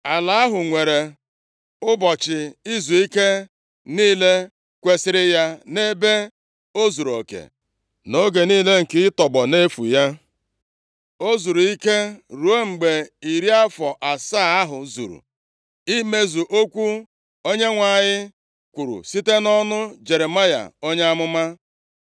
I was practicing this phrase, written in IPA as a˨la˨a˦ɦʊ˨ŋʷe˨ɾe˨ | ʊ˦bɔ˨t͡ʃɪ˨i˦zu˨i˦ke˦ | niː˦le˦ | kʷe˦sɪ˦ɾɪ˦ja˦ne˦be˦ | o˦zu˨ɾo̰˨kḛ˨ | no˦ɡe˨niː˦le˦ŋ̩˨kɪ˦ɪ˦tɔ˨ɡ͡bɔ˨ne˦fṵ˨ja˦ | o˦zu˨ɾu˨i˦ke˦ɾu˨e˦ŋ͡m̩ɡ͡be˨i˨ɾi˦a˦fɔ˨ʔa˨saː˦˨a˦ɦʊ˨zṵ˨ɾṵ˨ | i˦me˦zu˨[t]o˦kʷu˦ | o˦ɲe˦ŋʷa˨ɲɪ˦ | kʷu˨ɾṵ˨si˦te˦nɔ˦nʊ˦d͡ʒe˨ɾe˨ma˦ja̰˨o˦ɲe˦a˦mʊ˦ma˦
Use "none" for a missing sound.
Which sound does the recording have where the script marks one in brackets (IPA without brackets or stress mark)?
ʔ